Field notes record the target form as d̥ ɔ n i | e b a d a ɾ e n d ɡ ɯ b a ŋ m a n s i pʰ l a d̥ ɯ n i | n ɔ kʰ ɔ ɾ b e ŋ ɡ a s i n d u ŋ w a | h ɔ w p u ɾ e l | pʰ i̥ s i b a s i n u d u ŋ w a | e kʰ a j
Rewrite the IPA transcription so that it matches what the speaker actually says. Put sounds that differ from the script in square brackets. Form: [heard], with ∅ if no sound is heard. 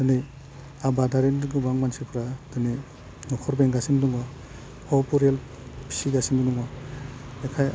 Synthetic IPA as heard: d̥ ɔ n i | [a] b a d a ɾ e n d ɡ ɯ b a ŋ m a n s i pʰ [ɾ] a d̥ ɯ n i | n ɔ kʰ ɔ ɾ b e ŋ ɡ a s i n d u ŋ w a | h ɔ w p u ɾ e l | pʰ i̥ s i [ɡ] a s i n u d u ŋ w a | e kʰ a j